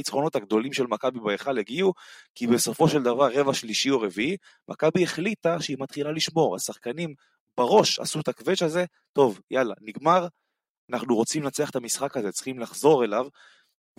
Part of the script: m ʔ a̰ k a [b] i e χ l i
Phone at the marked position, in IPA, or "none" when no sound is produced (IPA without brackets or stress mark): b